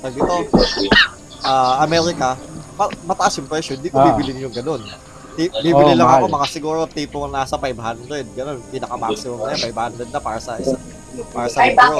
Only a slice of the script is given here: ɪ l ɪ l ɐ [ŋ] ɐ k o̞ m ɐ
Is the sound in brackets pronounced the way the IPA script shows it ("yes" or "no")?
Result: yes